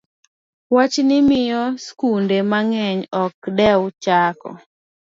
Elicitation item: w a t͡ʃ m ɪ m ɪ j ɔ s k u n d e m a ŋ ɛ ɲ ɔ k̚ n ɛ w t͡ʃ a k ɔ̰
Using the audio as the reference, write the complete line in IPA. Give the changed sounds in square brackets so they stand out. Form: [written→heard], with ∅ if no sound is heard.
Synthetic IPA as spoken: w a t͡ʃ [m→n] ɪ m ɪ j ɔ s k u n d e m a ŋ ɛ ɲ ɔ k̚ [n→d] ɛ w t͡ʃ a k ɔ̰